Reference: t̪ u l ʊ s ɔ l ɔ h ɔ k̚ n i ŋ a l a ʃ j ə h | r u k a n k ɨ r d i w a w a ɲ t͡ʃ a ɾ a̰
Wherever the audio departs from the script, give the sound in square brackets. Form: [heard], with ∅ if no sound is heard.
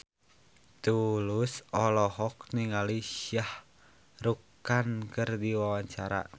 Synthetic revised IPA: t̪ u l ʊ s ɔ l ɔ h ɔ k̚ n i ŋ a l [i] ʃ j [a] h | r u k a n k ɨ r d i w a w a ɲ t͡ʃ a ɾ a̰